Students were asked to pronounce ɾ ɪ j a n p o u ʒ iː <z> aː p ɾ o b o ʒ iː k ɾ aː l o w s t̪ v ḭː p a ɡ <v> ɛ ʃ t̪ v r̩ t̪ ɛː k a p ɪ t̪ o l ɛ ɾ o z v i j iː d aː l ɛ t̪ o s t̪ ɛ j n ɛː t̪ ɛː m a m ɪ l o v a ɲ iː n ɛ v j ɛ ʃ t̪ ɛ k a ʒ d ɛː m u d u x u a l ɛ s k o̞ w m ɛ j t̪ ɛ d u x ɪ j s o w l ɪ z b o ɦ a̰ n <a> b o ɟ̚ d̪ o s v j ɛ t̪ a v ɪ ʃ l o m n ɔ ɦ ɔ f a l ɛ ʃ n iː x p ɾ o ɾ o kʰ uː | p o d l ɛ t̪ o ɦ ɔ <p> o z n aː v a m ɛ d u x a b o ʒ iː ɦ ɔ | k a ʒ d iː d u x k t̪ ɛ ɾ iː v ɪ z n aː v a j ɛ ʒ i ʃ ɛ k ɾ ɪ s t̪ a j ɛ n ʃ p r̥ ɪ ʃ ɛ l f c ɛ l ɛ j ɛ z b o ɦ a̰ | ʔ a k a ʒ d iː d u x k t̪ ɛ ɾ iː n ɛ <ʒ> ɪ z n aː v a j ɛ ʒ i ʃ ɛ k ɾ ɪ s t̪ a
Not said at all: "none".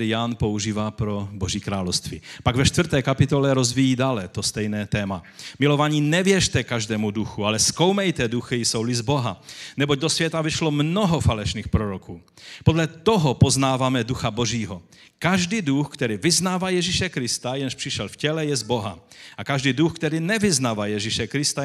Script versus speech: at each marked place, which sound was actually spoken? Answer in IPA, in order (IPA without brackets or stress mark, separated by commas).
v, v, ɛ, p, v